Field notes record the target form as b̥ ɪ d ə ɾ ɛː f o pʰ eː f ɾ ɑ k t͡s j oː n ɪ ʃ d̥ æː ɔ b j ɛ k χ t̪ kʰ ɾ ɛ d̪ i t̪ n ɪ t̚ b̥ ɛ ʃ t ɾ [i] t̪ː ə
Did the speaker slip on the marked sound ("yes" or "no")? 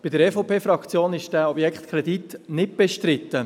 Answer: yes